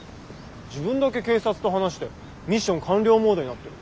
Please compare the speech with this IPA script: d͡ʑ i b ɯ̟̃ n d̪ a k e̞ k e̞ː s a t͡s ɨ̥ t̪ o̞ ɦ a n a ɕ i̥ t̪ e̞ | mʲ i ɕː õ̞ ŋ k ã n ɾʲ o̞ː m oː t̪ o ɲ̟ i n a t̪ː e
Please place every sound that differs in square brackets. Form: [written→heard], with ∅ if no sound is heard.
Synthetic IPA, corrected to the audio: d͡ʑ i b ɯ̟̃ n d̪ a k e̞ k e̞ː s a t͡s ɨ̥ t̪ o̞ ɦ a n a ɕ i̥ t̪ e̞ | mʲ i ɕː õ̞ ŋ k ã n ɾʲ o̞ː m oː [t̪→d̪] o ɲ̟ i n a t̪ː e